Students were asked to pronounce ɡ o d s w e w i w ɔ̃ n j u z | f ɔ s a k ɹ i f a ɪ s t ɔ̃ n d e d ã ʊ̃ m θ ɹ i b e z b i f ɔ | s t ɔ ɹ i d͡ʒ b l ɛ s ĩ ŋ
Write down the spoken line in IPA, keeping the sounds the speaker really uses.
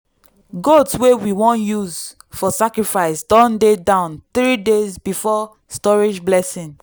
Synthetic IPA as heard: ɡ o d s w e w i w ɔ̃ n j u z | f ɔ s a k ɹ i f a ɪ s d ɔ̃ n d e d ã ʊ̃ n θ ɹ i d e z b i f ɔ | s t ɔ ɹ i d͡ʒ b l ɛ s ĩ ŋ